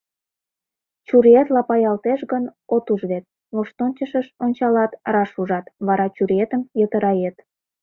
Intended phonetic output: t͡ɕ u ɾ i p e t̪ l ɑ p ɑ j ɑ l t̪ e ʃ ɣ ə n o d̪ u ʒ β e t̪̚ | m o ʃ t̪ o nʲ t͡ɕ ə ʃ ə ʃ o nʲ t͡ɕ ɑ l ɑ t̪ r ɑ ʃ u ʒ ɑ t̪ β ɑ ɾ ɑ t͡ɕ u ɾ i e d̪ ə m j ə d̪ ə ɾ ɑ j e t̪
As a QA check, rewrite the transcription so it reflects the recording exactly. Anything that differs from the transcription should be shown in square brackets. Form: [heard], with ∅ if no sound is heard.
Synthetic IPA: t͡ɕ u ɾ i [∅] e t̪ l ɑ p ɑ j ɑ l t̪ e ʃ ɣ ə n o [t̪] u ʒ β e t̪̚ | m o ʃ t̪ o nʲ t͡ɕ ə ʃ ə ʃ o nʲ t͡ɕ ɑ l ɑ t̪ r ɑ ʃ u ʒ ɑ t̪ β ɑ ɾ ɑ t͡ɕ u ɾ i e [t̪] ə m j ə [t̪] ə ɾ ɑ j e t̪